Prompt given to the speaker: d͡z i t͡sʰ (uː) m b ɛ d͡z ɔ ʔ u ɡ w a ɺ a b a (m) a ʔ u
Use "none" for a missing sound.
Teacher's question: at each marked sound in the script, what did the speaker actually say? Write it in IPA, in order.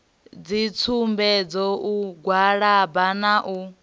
u, n

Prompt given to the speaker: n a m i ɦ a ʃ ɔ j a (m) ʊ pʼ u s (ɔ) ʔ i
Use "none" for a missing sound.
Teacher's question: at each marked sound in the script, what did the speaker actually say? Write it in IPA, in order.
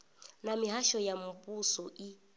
m, ɔ

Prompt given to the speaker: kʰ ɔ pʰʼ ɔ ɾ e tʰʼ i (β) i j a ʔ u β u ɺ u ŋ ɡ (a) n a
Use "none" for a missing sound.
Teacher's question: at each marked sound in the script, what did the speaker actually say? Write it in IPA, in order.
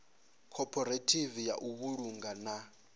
v, a

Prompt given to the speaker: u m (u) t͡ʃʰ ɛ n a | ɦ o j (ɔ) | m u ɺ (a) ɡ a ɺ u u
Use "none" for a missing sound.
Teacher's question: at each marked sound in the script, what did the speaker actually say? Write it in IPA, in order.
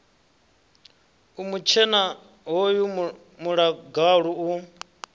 u, u, a

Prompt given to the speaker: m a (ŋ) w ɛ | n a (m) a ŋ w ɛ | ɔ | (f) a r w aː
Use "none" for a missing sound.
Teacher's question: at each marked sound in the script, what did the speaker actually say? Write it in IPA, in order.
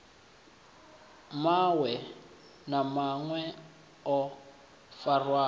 none, m, f

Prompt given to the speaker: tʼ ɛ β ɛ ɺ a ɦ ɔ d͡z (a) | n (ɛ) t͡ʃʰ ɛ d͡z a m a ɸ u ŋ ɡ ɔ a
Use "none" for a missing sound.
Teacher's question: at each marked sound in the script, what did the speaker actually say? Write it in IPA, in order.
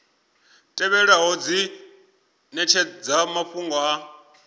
i, ɛ

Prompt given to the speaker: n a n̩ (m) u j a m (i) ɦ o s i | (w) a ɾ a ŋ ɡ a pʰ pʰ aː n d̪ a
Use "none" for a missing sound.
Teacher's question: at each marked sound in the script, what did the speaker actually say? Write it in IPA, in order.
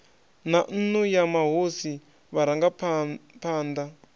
n, a, β

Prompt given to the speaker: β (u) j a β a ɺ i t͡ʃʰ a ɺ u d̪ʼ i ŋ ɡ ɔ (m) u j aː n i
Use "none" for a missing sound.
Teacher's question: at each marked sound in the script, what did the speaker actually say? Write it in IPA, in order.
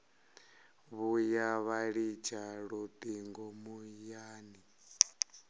u, m

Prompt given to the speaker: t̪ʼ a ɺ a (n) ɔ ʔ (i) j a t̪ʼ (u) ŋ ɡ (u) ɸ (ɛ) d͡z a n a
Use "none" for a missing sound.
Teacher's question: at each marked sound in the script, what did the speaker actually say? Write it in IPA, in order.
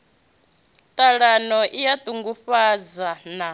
n, i, u, u, a

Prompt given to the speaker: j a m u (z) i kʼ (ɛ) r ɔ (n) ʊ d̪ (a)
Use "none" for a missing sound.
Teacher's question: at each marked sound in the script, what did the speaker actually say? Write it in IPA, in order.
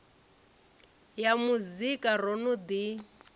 z, a, n, i

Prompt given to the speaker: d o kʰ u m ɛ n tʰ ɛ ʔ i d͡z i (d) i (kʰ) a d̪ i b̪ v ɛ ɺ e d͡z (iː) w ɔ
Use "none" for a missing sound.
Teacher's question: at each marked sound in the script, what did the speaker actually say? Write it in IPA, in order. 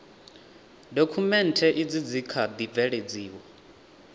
d͡z, kʰ, iː

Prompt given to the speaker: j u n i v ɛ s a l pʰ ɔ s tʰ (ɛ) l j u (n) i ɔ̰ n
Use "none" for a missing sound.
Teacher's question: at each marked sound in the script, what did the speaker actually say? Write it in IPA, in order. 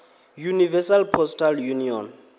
a, n

